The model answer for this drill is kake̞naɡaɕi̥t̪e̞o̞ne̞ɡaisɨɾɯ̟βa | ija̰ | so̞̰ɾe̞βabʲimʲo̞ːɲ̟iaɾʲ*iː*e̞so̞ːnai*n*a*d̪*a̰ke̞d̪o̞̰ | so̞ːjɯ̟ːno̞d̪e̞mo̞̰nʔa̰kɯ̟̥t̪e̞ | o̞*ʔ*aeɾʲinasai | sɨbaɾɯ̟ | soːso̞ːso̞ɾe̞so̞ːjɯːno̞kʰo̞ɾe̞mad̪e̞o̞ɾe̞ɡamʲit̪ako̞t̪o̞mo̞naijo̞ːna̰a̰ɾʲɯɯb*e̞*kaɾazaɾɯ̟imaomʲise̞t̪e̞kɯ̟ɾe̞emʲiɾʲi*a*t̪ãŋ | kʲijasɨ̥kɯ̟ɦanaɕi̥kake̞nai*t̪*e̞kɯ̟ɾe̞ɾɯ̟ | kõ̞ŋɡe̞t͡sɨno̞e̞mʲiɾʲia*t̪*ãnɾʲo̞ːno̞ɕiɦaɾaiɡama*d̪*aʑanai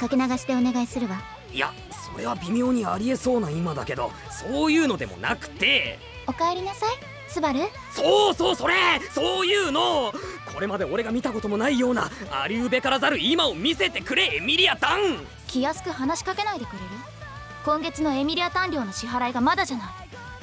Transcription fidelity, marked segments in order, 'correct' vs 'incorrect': incorrect, incorrect, correct, incorrect, correct, correct, incorrect, correct, correct

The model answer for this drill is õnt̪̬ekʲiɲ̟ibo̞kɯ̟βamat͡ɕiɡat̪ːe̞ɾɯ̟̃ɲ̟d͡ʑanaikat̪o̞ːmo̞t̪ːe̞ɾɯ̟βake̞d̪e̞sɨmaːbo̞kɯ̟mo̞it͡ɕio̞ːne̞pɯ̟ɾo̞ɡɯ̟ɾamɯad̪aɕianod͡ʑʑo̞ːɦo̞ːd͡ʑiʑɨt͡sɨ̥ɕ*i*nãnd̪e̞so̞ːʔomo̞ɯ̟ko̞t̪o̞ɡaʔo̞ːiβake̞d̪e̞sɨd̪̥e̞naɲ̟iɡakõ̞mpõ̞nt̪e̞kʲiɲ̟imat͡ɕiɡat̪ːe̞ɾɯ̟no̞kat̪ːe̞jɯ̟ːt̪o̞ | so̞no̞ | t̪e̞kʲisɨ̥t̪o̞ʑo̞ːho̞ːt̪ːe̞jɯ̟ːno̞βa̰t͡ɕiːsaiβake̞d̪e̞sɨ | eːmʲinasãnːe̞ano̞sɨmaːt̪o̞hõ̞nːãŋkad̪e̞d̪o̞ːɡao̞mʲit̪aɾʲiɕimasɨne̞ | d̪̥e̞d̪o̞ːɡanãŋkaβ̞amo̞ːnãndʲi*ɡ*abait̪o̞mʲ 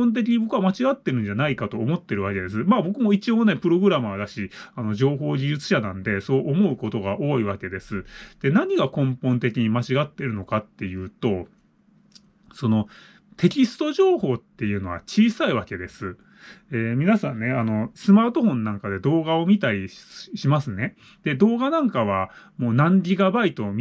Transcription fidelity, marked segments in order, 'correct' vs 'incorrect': incorrect, correct

